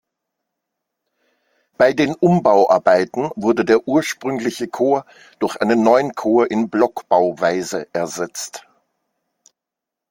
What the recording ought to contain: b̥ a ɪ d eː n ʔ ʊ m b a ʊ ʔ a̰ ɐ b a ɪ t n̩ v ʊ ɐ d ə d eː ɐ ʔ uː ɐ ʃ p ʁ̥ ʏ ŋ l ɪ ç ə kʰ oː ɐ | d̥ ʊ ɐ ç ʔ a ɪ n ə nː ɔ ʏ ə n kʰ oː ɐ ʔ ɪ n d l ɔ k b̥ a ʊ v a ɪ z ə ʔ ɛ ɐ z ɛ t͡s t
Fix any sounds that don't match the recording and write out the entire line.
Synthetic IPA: b̥ a ɪ d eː n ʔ ʊ m b a ʊ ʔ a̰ ɐ b a ɪ t n̩ v ʊ ɐ d ə d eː ɐ ʔ uː ɐ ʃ p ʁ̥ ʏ ŋ l ɪ ç ə kʰ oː ɐ | d̥ ʊ ɐ ç ʔ a ɪ n ə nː ɔ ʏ ə n kʰ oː ɐ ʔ ɪ n b l ɔ k b̥ a ʊ v a ɪ z ə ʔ ɛ ɐ z ɛ t͡s t